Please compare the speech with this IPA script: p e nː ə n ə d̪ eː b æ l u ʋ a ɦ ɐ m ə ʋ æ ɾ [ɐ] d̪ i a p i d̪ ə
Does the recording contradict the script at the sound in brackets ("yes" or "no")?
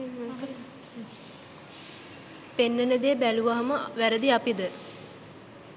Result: yes